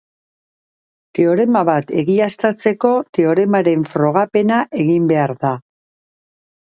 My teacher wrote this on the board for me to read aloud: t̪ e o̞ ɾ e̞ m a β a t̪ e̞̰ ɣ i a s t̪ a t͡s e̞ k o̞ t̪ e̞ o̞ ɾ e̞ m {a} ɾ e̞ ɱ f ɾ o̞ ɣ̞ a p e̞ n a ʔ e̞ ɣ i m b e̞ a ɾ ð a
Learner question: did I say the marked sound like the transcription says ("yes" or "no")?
yes